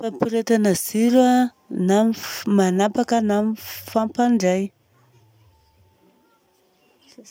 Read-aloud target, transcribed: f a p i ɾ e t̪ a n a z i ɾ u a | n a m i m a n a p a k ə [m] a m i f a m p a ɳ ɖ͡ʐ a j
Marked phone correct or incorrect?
incorrect